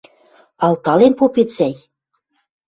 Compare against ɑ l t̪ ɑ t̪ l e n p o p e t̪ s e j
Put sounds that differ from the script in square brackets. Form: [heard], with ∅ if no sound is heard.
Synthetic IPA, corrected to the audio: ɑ l t̪ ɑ [∅] l e n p o p e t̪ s [æ] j